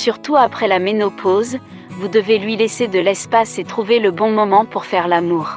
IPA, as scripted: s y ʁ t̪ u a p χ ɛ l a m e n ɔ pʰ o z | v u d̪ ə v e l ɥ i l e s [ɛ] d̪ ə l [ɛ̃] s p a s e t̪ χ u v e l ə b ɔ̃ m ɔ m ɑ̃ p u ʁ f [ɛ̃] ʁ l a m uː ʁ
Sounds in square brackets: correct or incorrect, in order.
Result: incorrect, incorrect, incorrect

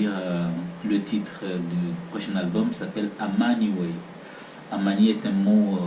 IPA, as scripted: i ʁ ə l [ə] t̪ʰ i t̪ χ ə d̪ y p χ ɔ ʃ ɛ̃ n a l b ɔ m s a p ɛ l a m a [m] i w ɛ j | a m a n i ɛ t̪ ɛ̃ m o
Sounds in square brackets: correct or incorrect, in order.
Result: correct, incorrect

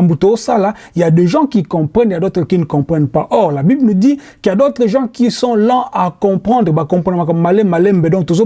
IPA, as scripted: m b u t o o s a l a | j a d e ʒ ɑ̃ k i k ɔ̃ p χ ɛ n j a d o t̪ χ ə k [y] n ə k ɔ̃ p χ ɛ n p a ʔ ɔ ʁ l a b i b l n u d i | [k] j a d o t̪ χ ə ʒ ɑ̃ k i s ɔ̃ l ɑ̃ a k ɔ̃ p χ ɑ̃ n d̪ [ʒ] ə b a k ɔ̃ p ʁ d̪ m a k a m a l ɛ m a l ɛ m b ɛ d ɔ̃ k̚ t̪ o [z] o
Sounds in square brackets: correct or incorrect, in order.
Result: incorrect, correct, incorrect, correct

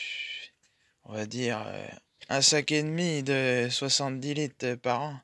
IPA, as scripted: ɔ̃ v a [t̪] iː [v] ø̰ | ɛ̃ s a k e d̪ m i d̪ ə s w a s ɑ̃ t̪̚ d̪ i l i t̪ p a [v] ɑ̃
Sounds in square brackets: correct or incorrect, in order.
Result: incorrect, incorrect, incorrect

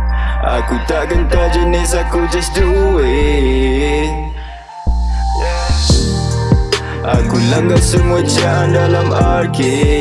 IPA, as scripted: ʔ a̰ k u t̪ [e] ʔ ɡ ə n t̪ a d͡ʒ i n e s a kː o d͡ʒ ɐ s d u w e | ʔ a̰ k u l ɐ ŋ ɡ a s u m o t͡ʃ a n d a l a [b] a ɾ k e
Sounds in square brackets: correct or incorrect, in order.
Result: incorrect, incorrect

